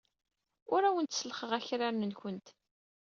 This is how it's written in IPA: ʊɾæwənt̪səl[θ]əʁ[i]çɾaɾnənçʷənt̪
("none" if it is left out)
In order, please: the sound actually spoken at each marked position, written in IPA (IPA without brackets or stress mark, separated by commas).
χ, æ